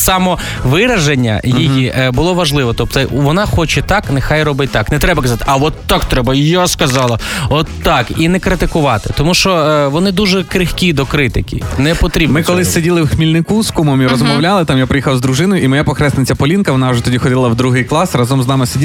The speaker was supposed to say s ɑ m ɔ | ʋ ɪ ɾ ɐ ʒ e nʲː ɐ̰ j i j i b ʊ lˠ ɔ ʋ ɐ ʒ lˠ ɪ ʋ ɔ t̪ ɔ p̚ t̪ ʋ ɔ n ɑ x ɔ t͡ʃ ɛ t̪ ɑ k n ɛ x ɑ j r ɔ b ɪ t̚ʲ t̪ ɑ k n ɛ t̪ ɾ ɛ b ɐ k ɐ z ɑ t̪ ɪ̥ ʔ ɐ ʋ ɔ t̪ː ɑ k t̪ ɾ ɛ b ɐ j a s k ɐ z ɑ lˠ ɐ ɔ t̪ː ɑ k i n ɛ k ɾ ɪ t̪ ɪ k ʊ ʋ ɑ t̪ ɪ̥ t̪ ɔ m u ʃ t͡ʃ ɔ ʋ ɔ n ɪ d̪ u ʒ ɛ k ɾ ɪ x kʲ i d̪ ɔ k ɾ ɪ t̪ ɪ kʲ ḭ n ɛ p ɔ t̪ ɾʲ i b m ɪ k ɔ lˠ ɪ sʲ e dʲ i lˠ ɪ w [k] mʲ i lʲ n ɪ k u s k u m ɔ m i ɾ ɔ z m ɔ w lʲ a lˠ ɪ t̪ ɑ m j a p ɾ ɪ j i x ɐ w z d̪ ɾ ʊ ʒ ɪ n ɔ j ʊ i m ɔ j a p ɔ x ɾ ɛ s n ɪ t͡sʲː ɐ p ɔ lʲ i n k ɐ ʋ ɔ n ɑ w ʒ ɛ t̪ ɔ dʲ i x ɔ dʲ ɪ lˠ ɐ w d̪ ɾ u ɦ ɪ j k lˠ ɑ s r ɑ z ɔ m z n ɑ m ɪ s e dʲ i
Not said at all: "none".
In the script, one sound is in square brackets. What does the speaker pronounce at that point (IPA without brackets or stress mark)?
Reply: x